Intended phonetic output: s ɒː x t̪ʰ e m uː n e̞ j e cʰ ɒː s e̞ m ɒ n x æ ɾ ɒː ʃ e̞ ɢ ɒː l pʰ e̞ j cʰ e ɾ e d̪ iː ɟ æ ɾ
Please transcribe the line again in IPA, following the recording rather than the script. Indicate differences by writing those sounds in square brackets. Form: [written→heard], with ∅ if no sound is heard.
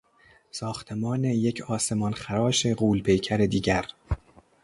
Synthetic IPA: s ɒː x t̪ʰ e m [uː→ɒː] n e̞ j e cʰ ɒː s e̞ m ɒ n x æ ɾ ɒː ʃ e̞ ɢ [ɒː→uː] l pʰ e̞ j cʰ [e→æ] ɾ e d̪ iː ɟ æ ɾ